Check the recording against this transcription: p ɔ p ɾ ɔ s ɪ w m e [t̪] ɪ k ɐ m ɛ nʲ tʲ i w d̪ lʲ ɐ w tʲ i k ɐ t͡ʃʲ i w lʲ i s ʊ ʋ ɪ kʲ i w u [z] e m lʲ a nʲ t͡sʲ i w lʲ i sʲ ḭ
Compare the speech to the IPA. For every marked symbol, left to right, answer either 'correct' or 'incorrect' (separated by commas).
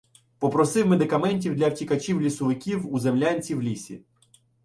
incorrect, correct